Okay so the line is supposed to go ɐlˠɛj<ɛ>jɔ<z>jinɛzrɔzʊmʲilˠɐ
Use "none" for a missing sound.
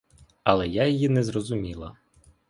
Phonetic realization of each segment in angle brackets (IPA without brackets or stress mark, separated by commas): a, none